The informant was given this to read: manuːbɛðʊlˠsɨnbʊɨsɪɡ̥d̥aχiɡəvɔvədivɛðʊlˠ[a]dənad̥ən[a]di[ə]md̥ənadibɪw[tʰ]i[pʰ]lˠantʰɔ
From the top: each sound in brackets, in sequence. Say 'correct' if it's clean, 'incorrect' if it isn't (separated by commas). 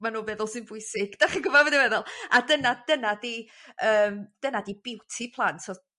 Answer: correct, correct, incorrect, correct, correct